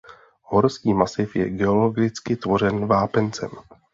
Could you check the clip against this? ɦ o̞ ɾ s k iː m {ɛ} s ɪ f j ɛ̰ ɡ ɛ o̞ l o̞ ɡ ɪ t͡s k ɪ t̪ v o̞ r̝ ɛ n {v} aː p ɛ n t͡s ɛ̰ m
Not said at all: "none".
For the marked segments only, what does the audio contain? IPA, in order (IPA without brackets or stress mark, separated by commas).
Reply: a, v